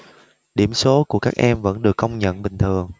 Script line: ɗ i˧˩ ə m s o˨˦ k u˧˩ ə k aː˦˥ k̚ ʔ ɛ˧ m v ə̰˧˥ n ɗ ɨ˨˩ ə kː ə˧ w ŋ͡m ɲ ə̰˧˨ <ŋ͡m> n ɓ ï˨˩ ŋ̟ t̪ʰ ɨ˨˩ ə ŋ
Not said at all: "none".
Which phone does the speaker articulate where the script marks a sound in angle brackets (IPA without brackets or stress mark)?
none